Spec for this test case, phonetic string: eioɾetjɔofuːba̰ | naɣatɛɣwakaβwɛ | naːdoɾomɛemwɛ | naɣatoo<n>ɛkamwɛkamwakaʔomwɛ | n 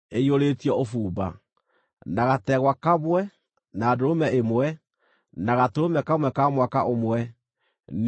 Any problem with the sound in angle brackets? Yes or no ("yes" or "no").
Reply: yes